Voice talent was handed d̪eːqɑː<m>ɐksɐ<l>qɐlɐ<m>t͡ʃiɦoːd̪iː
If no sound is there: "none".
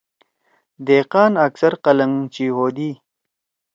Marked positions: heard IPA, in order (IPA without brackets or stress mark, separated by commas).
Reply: n, ɾ, ŋ